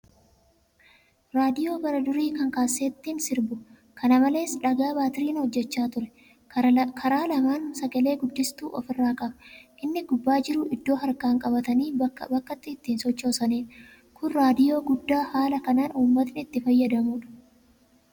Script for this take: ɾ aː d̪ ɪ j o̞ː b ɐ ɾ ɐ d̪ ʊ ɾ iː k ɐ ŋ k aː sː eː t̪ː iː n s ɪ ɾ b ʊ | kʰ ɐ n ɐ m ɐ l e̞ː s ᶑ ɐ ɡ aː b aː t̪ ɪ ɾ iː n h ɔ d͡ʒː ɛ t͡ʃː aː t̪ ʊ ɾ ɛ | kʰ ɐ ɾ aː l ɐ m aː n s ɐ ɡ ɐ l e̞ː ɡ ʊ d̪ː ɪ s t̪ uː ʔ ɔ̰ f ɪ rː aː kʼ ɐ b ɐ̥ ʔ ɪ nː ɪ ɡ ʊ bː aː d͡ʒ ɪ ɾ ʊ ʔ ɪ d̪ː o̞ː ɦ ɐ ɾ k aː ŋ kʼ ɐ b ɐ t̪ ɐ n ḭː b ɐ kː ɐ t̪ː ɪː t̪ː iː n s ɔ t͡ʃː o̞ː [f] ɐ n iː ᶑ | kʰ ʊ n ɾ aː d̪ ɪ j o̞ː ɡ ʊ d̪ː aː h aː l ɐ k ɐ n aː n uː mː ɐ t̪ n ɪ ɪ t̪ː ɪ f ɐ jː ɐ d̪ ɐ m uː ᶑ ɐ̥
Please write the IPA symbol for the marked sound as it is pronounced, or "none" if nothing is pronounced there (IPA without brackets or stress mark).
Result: s